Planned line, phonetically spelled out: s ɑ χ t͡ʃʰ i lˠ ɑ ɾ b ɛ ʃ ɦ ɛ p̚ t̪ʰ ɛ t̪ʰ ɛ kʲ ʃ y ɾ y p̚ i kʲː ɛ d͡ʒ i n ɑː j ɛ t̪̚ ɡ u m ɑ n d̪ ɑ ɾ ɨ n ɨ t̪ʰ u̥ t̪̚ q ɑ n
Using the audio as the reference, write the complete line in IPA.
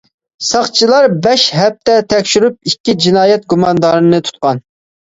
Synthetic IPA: s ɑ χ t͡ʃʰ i lˠ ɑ ɾ b ɛ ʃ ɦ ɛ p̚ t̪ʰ ɛ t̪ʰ ɛ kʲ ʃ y ɾ y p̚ i kʲː i d͡ʒ i n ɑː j ɛ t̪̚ ɡ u m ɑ n d̪ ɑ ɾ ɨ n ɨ t̪ʰ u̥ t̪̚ q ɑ n